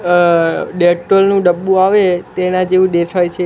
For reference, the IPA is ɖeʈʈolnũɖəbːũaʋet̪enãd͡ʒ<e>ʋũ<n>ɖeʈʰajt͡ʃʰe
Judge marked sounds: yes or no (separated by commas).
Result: yes, no